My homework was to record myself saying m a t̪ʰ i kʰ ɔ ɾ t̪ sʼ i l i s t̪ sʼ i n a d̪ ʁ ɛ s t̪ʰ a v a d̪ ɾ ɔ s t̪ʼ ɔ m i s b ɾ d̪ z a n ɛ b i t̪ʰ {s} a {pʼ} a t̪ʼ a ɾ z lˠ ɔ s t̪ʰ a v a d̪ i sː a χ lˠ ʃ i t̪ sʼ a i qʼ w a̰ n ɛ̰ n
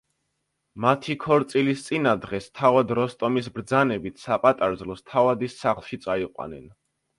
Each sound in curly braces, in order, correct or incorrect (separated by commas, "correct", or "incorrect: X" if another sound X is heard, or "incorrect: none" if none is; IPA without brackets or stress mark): correct, correct